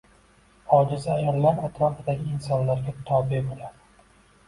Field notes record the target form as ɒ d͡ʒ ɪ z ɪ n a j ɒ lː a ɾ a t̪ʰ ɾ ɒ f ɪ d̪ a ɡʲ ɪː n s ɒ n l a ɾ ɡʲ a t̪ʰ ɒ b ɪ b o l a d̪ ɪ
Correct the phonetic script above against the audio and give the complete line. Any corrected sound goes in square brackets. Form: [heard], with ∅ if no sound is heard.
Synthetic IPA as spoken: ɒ d͡ʒ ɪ z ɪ [∅] a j ɒ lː a ɾ a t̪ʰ ɾ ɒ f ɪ d̪ a ɡʲ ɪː n s ɒ n l a ɾ ɡʲ a t̪ʰ ɒ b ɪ b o l a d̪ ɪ